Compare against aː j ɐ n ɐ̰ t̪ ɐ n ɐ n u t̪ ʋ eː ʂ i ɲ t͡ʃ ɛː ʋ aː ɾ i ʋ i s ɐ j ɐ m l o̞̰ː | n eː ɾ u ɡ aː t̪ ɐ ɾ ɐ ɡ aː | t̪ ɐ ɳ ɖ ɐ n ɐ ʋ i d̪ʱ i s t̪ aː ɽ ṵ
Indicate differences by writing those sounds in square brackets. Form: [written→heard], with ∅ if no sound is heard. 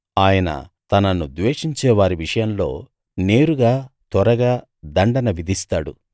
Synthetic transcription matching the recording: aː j ɐ n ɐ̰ t̪ ɐ n ɐ n u [t̪→d̪] ʋ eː ʂ i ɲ t͡ʃ ɛː ʋ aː ɾ i ʋ i [s→ʂ] ɐ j ɐ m l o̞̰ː | n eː ɾ u ɡ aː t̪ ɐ ɾ ɐ ɡ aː | [t̪→d̪] ɐ ɳ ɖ ɐ n ɐ ʋ i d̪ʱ i s t̪ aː ɽ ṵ